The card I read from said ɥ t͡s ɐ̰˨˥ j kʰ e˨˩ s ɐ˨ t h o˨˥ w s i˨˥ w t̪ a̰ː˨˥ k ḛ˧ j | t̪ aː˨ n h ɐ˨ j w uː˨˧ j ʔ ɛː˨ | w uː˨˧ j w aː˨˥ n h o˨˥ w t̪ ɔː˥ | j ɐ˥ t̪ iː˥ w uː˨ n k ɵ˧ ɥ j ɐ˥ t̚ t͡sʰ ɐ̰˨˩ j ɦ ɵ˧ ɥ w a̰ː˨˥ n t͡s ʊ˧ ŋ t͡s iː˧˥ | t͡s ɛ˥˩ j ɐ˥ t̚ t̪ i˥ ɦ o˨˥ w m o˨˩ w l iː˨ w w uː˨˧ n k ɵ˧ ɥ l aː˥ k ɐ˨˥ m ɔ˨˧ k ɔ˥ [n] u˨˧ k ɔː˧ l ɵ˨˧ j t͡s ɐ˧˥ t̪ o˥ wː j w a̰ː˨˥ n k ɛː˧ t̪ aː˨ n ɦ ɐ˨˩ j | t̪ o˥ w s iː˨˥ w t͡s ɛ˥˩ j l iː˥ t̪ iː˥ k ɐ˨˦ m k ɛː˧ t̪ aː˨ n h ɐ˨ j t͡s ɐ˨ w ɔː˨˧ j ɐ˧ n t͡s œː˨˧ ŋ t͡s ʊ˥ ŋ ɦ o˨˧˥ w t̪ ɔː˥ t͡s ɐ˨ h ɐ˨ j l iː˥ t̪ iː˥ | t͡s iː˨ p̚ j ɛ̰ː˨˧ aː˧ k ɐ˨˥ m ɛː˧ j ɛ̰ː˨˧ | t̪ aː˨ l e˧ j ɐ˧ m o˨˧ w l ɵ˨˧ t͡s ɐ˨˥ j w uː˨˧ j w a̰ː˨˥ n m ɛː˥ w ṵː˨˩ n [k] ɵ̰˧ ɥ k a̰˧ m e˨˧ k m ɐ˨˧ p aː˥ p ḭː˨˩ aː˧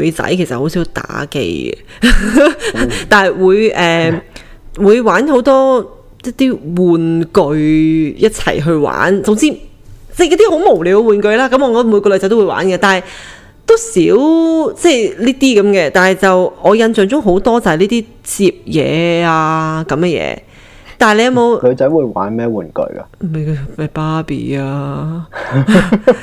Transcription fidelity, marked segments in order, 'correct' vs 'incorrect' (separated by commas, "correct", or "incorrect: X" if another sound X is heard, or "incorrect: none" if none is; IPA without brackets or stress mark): incorrect: m, correct